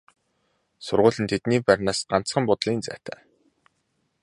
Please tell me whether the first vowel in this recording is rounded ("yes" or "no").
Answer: yes